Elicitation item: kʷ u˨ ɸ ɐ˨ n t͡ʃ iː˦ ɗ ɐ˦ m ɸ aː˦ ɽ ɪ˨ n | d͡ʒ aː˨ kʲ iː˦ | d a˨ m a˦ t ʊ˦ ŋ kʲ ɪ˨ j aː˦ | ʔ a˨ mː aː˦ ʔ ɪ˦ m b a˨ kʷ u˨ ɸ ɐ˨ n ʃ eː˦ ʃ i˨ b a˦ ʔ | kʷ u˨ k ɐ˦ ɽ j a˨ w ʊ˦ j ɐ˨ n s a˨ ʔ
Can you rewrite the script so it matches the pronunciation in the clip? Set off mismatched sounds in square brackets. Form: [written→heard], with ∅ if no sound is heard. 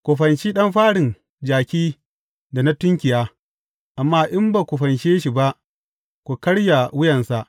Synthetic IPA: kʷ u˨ ɸ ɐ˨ n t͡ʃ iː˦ ɗ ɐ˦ m ɸ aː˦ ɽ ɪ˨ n | d͡ʒ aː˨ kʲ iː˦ | d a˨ [m→n] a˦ t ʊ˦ ŋ kʲ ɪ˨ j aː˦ | ʔ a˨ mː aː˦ ʔ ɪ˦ m b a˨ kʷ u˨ ɸ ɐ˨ n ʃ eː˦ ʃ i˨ b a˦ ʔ | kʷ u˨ k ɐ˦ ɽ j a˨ w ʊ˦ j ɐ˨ n s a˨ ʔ